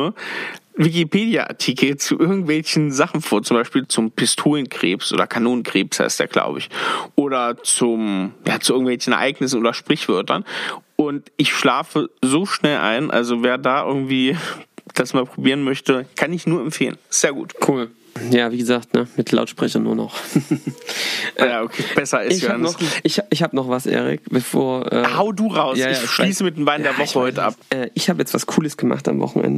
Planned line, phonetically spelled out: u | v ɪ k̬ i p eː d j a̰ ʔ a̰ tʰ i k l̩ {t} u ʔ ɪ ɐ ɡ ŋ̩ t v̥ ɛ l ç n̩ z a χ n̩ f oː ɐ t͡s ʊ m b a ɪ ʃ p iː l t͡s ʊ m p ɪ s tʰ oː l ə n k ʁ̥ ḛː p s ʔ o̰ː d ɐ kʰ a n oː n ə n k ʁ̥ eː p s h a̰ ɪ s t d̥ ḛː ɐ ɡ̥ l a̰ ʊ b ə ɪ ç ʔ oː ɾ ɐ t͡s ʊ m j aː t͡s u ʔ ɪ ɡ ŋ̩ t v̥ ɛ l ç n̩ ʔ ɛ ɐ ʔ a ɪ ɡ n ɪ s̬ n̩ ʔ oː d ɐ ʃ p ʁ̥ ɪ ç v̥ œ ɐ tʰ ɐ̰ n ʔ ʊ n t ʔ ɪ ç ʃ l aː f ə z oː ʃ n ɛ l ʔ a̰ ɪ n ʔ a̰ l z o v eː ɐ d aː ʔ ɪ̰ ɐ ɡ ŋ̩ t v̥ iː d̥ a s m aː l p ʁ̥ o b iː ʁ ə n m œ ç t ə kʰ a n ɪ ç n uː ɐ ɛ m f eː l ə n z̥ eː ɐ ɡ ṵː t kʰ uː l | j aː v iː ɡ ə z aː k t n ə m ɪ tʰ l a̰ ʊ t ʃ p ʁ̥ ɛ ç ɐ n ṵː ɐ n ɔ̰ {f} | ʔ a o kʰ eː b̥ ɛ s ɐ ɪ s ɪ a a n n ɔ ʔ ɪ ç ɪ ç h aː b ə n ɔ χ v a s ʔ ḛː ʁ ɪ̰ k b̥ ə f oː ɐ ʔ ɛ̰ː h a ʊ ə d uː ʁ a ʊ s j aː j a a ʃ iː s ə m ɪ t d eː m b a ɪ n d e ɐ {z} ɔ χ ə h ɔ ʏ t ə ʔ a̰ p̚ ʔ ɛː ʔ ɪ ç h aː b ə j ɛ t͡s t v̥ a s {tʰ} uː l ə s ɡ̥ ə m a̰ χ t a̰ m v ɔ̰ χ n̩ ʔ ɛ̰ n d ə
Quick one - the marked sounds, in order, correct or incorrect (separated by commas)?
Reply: incorrect, incorrect, incorrect, incorrect